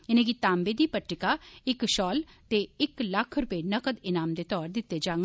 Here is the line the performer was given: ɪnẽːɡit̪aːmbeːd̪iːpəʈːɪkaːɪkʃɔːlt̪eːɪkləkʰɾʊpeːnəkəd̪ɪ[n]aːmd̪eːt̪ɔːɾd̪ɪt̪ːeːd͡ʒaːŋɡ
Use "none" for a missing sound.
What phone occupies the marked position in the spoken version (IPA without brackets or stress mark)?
n